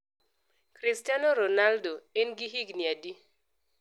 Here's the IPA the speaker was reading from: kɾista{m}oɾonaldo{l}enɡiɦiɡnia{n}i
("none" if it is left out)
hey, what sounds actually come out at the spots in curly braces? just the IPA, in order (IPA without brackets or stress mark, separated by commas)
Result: n, none, d